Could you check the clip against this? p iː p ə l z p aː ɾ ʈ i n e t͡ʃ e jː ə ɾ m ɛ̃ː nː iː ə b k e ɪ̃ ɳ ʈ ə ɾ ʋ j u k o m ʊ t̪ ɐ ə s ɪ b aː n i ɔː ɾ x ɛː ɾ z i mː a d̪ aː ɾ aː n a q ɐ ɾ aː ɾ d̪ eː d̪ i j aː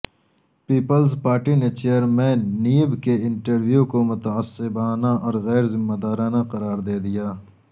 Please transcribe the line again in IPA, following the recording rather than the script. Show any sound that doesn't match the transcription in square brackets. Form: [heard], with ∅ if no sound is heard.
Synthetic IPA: p iː p ə l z p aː ɾ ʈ i n e t͡ʃ e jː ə ɾ m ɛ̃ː nː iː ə b k e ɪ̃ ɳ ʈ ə ɾ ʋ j u k o m ʊ t̪ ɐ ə s ɪ b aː n [a] ɔː ɾ [ɣ] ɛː ɾ z [ɪ] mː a d̪ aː ɾ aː n a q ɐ ɾ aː ɾ d̪ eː d̪ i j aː